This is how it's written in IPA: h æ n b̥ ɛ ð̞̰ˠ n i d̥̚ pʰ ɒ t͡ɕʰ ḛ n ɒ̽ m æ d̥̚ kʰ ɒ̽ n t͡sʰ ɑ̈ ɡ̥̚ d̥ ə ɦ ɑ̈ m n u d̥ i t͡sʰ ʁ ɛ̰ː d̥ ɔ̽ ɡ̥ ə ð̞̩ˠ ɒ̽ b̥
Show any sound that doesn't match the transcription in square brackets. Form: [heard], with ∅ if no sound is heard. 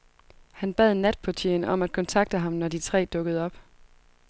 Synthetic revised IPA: h æ n b̥ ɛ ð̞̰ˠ n [æ] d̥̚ pʰ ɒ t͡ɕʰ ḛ n ɒ̽ m æ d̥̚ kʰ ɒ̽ n t͡sʰ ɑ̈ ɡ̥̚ d̥ ə ɦ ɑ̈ m n [ɒ] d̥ i t͡sʰ ʁ ɛ̰ː d̥ ɔ̽ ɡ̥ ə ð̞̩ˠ ɒ̽ b̥